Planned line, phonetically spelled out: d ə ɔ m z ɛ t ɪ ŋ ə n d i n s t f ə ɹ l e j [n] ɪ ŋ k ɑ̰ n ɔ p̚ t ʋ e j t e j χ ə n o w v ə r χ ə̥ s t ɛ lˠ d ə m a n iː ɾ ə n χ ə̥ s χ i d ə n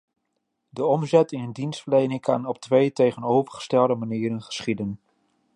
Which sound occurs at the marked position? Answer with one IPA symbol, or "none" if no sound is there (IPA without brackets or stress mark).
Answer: n